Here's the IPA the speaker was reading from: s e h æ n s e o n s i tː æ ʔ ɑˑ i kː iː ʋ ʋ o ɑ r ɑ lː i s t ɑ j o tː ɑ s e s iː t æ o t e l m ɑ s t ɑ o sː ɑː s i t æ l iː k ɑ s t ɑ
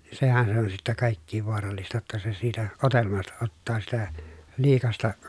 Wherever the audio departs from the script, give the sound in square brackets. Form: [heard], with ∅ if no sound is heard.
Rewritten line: s e h æ n s e o n s i tː æ [k] ɑˑ i kː iː ʋ ʋ o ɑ r ɑ lː i s t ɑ j o tː ɑ s e s iː t æ o t e l m ɑ s t ɑ o [tː] ɑː s i t æ l iː k ɑ s t ɑ